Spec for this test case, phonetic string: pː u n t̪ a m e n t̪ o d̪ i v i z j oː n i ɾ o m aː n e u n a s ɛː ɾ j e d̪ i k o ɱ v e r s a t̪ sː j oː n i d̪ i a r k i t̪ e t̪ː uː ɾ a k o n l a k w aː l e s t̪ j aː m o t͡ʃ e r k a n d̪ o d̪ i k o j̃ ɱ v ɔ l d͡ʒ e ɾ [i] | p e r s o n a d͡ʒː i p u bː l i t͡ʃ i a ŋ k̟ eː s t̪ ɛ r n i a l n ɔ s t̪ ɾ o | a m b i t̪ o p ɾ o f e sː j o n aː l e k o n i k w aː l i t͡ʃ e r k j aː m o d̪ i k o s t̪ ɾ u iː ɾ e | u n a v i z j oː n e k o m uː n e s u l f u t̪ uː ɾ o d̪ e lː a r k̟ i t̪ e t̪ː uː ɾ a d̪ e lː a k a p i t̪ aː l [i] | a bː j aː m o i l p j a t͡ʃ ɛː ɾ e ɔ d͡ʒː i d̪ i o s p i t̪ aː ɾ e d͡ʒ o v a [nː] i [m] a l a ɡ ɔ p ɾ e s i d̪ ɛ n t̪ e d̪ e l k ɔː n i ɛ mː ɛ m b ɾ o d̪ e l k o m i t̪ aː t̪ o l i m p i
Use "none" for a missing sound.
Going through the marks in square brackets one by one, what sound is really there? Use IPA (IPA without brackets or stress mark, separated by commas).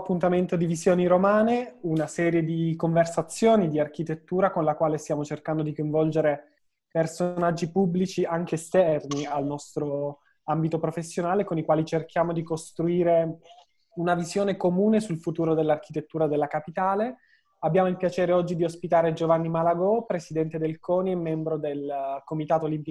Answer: e, e, nː, m